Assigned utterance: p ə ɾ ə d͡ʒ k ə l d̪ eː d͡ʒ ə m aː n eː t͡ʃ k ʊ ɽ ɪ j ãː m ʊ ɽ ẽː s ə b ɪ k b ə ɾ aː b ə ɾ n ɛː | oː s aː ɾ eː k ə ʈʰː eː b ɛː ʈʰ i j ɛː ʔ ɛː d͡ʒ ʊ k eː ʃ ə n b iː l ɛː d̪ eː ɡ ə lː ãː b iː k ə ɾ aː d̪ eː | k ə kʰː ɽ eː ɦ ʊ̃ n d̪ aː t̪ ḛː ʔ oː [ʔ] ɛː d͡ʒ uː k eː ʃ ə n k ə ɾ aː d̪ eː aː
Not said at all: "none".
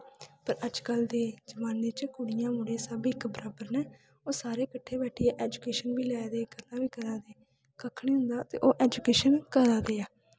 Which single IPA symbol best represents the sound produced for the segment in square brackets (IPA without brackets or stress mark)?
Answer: ʔ